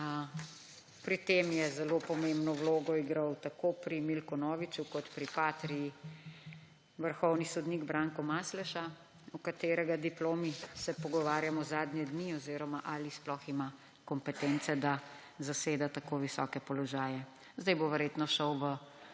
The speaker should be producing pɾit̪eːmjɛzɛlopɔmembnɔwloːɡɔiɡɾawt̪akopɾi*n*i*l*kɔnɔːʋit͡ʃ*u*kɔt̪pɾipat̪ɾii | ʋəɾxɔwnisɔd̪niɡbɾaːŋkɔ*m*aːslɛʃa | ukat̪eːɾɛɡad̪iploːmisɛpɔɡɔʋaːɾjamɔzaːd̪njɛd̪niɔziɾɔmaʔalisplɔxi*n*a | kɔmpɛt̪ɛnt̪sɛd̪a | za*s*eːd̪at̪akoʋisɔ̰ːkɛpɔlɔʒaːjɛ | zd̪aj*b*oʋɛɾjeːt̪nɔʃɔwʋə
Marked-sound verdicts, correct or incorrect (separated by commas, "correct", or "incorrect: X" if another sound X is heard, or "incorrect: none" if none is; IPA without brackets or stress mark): incorrect: m, correct, correct, correct, incorrect: m, correct, correct